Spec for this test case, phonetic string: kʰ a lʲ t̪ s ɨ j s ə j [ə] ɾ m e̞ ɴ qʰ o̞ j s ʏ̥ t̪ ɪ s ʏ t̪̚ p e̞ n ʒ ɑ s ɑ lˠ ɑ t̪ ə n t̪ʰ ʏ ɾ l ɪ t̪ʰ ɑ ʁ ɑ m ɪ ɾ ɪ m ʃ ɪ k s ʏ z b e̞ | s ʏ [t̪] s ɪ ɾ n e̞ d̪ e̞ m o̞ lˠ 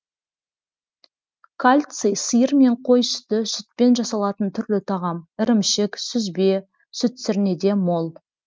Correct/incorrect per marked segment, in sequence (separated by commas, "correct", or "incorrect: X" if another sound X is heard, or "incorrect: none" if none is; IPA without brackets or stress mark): correct, correct